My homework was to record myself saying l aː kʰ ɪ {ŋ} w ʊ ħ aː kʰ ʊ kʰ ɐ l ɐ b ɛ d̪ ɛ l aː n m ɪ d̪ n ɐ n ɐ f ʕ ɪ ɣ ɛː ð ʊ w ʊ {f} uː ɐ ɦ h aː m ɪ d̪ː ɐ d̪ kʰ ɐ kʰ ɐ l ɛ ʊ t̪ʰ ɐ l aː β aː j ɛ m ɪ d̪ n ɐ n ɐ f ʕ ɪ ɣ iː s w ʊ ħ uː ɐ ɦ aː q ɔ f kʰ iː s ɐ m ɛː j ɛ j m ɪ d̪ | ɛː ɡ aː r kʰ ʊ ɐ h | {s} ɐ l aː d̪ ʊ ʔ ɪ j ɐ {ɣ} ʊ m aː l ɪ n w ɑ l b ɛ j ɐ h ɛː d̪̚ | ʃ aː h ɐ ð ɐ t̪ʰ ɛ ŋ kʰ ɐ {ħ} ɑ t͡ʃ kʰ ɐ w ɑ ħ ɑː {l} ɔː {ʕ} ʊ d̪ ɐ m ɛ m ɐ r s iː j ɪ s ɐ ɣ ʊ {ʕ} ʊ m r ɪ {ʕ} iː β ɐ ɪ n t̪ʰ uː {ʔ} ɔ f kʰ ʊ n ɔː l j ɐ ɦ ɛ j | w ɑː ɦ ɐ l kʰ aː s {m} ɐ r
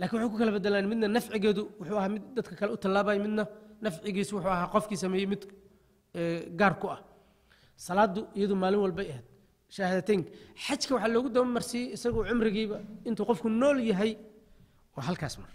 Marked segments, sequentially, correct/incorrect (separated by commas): incorrect, incorrect, correct, incorrect, correct, correct, incorrect, correct, incorrect, incorrect, correct